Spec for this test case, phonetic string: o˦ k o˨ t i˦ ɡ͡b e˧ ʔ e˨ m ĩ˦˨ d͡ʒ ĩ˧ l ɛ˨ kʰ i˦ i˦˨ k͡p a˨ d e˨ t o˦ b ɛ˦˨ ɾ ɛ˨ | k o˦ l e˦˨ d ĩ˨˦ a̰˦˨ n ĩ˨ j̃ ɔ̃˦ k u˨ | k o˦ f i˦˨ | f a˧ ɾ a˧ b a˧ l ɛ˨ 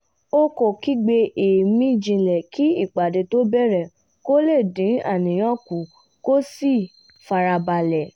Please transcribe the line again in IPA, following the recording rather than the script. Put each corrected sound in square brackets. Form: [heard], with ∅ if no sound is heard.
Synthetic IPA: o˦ k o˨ [k] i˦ ɡ͡b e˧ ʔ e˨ m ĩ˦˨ d͡ʒ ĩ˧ l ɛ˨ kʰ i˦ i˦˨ k͡p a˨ d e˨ t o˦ b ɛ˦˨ ɾ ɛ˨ | k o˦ l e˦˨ d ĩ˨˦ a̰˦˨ n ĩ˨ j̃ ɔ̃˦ k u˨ | k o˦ [s] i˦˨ | f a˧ ɾ a˧ b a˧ l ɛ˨